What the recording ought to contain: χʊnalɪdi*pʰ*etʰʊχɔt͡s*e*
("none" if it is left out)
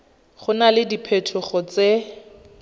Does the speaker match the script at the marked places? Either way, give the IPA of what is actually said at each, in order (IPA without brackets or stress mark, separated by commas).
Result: pʰ, e